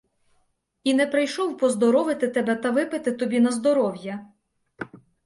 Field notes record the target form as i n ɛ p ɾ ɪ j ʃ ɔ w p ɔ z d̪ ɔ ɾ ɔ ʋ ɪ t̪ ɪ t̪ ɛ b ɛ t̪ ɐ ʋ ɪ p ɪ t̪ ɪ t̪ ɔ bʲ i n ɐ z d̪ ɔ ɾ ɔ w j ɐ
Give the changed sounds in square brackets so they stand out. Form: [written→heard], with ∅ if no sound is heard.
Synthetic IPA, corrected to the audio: i n ɛ p ɾ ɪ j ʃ ɔ w p ɔ z d̪ ɔ ɾ ɔ ʋ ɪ t̪ ɪ t̪ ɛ b ɛ t̪ ɐ ʋ ɪ p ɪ t̪ ɪ t̪ ɔ bʲ i n ɐ z d̪ ɔ ɾ ɔ w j ɐ